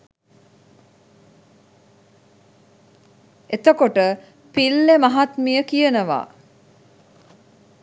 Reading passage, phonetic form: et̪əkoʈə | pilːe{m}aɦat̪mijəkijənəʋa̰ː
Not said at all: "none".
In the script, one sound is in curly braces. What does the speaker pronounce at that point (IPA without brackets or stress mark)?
m